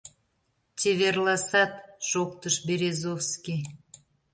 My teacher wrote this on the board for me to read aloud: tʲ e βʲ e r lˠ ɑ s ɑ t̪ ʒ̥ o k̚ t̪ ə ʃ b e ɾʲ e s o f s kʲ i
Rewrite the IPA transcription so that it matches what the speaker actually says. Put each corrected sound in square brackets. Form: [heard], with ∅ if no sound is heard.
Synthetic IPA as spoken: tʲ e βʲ e r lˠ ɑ s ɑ t̪ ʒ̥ o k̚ t̪ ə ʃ b e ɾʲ e [z] o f s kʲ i